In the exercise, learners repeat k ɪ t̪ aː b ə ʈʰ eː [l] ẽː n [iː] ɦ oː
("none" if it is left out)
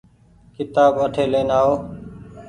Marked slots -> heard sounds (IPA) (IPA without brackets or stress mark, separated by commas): l, aː